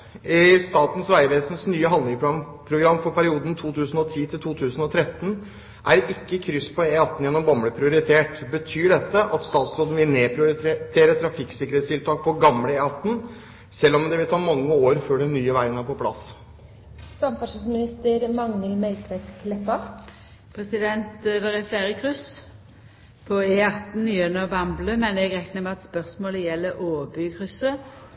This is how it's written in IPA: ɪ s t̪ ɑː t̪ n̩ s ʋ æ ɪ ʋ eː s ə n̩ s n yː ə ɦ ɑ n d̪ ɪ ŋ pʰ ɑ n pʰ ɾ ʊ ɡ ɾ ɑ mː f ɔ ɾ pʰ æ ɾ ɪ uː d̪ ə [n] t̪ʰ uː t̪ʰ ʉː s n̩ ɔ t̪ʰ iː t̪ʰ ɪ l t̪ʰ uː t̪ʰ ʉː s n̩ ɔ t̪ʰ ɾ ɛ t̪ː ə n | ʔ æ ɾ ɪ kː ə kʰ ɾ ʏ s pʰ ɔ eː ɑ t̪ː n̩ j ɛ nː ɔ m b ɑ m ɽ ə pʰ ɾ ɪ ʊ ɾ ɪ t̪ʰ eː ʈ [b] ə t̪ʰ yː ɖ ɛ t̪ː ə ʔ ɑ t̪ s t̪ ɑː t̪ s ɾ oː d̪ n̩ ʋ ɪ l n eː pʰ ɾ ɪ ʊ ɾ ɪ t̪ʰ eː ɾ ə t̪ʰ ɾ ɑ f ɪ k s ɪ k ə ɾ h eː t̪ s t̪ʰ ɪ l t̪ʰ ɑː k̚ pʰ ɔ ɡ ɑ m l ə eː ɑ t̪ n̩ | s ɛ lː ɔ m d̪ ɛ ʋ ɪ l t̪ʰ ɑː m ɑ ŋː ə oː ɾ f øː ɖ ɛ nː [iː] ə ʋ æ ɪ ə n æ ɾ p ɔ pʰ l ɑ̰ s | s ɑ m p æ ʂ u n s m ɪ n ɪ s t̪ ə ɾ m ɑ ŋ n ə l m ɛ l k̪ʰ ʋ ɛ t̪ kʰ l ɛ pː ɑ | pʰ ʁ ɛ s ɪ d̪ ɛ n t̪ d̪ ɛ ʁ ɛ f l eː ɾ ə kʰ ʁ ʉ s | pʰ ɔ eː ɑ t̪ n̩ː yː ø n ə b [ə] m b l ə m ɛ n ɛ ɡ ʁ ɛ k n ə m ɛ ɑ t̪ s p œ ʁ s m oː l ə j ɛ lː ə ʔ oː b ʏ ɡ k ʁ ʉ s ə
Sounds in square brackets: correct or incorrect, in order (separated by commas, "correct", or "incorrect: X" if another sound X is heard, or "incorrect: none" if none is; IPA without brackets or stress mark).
correct, correct, incorrect: yː, incorrect: ɑ